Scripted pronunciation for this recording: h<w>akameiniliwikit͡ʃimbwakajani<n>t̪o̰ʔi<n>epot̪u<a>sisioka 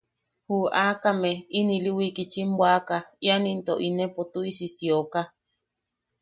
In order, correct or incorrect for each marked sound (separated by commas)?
incorrect, correct, correct, incorrect